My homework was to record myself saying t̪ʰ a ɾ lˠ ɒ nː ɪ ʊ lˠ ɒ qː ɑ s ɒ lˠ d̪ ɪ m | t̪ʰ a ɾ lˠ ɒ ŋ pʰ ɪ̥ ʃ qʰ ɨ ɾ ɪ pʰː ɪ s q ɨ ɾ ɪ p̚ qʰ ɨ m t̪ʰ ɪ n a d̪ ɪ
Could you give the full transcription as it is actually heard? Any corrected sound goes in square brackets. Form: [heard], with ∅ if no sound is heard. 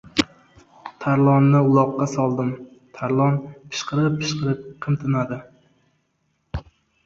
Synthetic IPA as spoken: t̪ʰ a ɾ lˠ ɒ nː ɪ ʊ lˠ ɒ qː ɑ s ɒ lˠ d̪ ɪ m | t̪ʰ a ɾ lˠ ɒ [n] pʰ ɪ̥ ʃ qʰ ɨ ɾ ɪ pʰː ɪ [ʃ] q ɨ ɾ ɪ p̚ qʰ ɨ m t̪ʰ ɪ n a d̪ ɪ

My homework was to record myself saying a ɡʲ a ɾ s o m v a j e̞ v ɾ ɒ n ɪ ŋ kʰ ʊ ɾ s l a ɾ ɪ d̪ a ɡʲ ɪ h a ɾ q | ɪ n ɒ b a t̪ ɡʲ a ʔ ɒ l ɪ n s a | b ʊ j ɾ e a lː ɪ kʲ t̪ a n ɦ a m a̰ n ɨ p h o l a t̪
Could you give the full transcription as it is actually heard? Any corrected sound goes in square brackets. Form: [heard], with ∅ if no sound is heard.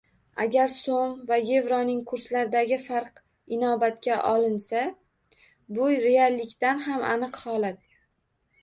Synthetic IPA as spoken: a ɡʲ a ɾ s o m v a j e̞ v ɾ ɒ n ɪ ŋ kʰ ʊ ɾ s l a ɾ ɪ d̪ a ɡʲ ɪ [f] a ɾ q | ɪ n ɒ b a t̪ [kʲ] a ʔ ɒ l ɪ n s a | b ʊ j ɾ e a lː ɪ kʲ t̪ a n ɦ a m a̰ n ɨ [q] h [ɒ] l a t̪

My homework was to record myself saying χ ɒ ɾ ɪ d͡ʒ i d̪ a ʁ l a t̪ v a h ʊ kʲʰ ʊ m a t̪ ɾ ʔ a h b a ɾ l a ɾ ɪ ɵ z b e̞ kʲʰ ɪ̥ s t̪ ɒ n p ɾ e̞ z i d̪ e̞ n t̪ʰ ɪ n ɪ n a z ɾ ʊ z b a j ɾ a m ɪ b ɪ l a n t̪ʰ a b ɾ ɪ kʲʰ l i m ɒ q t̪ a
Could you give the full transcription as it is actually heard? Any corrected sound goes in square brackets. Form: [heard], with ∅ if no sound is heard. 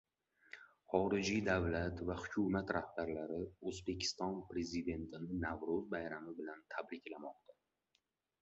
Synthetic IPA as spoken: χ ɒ ɾ ɪ d͡ʒ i d̪ a [v] l a t̪ v a h ʊ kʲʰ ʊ m a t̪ ɾ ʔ a h b a ɾ l a ɾ ɪ ɵ z b e̞ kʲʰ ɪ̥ s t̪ ɒ n p ɾ e̞ z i d̪ e̞ n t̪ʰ ɪ n ɪ n a [v] ɾ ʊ z b a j ɾ a m ɪ b ɪ l a n t̪ʰ a b ɾ ɪ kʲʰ l [a] m ɒ q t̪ a

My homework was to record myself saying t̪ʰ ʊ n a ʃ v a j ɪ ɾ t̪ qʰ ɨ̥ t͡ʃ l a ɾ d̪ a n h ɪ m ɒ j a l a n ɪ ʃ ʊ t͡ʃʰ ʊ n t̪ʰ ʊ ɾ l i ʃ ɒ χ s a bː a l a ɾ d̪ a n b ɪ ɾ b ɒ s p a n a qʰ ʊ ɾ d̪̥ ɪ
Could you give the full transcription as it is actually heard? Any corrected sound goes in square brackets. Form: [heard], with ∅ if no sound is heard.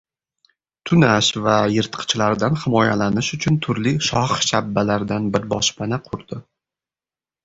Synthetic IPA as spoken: t̪ʰ ʊ n a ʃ v a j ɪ ɾ t̪ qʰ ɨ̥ t͡ʃ l a ɾ d̪ a n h ɪ m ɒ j a l a n ɪ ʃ ʊ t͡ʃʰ ʊ n t̪ʰ ʊ ɾ l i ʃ ɒ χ [ʃ] a bː a l a ɾ d̪ a n b ɪ ɾ b ɒ [ʃ] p a n a qʰ ʊ ɾ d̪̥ ɪ

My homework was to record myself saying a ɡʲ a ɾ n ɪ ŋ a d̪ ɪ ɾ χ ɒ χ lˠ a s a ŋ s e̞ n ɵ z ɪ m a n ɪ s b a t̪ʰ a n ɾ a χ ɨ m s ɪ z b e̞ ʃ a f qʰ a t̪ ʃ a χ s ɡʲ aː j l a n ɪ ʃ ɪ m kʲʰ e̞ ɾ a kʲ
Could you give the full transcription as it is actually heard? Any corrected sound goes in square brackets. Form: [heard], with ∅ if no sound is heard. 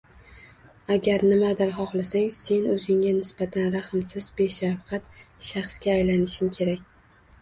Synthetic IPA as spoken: a ɡʲ a ɾ n ɪ [m] a d̪ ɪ ɾ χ ɒ χ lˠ a s a ŋ s e̞ n ɵ z ɪ [ŋ] a n ɪ s b a t̪ʰ a n ɾ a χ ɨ m s ɪ z b e̞ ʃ a f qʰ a t̪ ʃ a χ s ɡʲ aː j l a n ɪ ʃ ɪ m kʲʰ e̞ ɾ a kʲ

